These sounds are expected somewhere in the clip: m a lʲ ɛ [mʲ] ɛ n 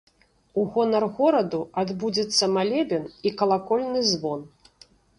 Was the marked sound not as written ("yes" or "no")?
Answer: yes